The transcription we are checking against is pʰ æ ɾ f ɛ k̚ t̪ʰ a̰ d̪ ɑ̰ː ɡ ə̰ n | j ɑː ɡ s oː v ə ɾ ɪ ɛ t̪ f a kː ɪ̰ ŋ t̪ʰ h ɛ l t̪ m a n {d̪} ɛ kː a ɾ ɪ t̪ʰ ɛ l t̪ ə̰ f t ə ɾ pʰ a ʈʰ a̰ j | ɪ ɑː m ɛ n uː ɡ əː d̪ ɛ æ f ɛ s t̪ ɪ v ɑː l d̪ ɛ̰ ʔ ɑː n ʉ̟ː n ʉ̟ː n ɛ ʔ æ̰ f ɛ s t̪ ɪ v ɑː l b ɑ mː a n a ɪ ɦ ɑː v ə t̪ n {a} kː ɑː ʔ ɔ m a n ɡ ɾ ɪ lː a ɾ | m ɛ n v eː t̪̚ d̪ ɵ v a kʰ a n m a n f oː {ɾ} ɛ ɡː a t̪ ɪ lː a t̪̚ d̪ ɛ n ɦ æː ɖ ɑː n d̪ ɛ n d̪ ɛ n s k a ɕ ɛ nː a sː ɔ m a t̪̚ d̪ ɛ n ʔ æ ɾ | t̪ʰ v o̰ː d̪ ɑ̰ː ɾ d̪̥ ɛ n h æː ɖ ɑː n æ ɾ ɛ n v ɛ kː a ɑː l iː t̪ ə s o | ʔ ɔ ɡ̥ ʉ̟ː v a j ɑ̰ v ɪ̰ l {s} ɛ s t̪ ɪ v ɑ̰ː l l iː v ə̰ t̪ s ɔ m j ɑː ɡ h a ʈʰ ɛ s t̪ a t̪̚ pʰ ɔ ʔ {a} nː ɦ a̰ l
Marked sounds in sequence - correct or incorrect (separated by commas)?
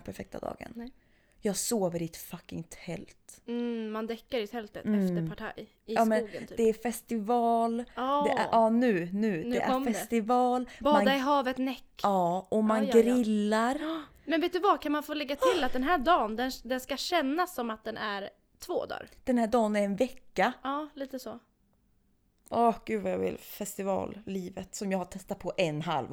correct, incorrect, incorrect, incorrect, incorrect